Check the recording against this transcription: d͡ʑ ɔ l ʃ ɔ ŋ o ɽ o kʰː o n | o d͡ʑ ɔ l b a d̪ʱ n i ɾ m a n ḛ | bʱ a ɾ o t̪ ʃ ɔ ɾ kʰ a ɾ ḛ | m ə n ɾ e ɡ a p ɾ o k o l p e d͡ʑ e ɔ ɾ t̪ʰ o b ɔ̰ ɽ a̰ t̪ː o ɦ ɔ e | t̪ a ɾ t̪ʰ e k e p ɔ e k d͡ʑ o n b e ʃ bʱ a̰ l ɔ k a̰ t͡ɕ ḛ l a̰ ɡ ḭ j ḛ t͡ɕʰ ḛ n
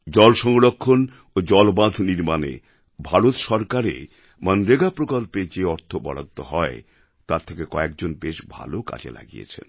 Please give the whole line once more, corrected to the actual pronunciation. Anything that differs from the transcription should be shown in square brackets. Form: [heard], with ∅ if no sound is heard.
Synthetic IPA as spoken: d͡ʑ ɔ l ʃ ɔ ŋ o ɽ o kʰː o n | o d͡ʑ ɔ l b a d̪ʱ n i ɾ m a n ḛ | bʱ a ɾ o t̪ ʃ ɔ ɾ [k] a ɾ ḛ | m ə n ɾ e ɡ a p ɾ o k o l p e d͡ʑ e ɔ ɾ t̪ʰ o b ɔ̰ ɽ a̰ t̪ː o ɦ ɔ e | t̪ a ɾ t̪ʰ e k e [k] ɔ e k d͡ʑ o n b e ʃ bʱ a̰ l [o] k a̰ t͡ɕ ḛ l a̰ ɡ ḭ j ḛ t͡ɕʰ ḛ n

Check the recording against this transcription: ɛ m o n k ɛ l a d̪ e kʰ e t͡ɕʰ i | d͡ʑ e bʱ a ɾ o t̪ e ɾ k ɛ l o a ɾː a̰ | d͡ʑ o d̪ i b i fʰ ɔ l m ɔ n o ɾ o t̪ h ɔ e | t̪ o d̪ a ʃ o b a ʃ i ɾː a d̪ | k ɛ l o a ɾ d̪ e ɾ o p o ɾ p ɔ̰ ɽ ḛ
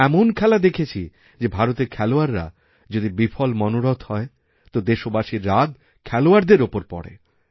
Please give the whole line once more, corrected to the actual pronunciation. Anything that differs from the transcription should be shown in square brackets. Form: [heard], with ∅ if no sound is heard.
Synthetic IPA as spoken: ɛ m o n [kʰ] ɛ l a d̪ e kʰ e t͡ɕʰ i | d͡ʑ e bʱ a ɾ o t̪ e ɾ [kʰ] ɛ l o a ɾː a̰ | d͡ʑ o d̪ i b i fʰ ɔ l m ɔ n o ɾ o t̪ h ɔ e | t̪ o d̪ [e] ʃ o b a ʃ i ɾː a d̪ | [kʰ] ɛ l o a ɾ d̪ e ɾ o p o ɾ p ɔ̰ ɽ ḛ

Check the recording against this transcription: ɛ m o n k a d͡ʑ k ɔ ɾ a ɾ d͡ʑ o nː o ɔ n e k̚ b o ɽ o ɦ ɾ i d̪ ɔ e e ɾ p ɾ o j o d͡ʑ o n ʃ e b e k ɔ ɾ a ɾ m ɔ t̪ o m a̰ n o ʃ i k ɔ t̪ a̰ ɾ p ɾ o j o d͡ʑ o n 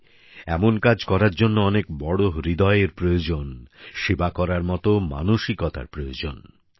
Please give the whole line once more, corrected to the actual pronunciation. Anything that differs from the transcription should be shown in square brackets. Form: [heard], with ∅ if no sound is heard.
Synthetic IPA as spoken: ɛ m o n k a d͡ʑ k ɔ ɾ a ɾ d͡ʑ o nː o ɔ n e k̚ b [ɔ] ɽ o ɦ ɾ i d̪ ɔ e e ɾ p ɾ o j o d͡ʑ o n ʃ e b [a] k ɔ ɾ a ɾ m ɔ t̪ o m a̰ n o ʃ i k ɔ t̪ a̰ ɾ p ɾ o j o d͡ʑ o n

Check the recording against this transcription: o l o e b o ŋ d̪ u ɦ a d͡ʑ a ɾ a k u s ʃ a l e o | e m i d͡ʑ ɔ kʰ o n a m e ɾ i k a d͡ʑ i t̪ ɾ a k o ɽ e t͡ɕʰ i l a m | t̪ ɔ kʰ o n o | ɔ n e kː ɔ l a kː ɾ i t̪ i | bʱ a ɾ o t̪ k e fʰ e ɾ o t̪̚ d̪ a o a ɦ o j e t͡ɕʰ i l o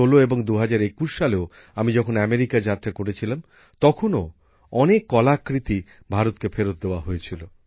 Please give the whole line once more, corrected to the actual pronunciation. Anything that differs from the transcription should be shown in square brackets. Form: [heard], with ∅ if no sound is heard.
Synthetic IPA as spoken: o l o e b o ŋ d̪ u ɦ a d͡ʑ a ɾ [e] k u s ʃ a l e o | [a] m i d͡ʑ ɔ kʰ o n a m e ɾ i k a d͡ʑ [a] t̪ ɾ a k o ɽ e t͡ɕʰ i l a m | t̪ ɔ kʰ o n o | ɔ n e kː ɔ l a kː ɾ i t̪ i | bʱ a ɾ o t̪ k e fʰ e ɾ o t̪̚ d̪ [e] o a ɦ o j e t͡ɕʰ i l o

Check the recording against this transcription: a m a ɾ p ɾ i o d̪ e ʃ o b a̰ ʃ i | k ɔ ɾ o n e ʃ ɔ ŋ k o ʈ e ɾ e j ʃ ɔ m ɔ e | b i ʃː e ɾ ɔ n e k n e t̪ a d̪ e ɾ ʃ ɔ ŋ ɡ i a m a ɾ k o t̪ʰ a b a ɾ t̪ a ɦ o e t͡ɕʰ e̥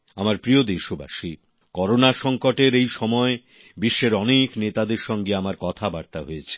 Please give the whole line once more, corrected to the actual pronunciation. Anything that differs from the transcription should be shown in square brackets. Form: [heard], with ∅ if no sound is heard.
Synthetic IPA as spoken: a m a ɾ p ɾ i o d̪ e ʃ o b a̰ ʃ i | k ɔ ɾ o n [a] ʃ ɔ ŋ k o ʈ e ɾ e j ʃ ɔ m ɔ e | b i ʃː e ɾ ɔ n e k n e t̪ a d̪ e ɾ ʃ ɔ ŋ ɡ [e] a m a ɾ k [ɔ] t̪ʰ a b a ɾ t̪ a ɦ o e t͡ɕʰ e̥

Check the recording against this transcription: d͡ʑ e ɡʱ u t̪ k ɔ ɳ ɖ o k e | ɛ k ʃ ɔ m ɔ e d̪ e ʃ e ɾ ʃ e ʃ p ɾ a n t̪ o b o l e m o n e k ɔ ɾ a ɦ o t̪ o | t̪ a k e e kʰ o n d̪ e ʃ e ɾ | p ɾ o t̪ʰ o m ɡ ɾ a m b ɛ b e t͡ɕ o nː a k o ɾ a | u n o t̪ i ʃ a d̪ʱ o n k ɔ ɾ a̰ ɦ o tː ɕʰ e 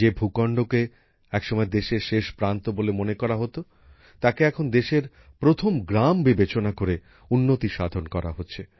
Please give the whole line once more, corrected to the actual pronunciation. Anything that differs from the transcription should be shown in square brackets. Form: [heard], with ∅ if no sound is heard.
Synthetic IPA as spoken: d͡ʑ e [bʱ] u [∅] k ɔ ɳ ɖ o k e | ɛ k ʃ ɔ m ɔ e d̪ e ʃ e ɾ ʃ e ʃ p ɾ a n t̪ o b o l e m o n e k ɔ ɾ a ɦ o t̪ o | t̪ a k e [ɛ] kʰ o n d̪ e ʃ e ɾ | p ɾ o t̪ʰ o m ɡ ɾ a m b [i] b e t͡ɕ o [n] a k o ɾ [e] | u [nː] o t̪ i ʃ a d̪ʱ o n k ɔ ɾ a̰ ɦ o tː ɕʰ e

